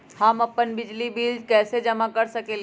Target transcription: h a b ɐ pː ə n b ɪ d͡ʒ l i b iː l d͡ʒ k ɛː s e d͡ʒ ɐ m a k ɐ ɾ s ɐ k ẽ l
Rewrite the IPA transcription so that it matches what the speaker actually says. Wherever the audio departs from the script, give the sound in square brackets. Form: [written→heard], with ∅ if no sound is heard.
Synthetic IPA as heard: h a [b→m] ɐ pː ə n b ɪ d͡ʒ l i b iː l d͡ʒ k ɛː s e d͡ʒ ɐ m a k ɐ ɾ s ɐ k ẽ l